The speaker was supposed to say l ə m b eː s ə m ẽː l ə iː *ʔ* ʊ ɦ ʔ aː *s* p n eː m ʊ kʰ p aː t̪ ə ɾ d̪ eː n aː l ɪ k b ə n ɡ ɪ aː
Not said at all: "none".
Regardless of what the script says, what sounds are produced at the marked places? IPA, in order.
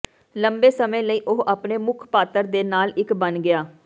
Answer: ʔ, none

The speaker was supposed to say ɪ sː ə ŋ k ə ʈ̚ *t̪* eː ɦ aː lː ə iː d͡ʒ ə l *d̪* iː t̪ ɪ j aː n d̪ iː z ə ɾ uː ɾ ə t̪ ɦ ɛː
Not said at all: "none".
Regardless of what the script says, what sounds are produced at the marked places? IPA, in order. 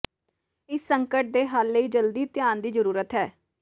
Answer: d̪, d̪

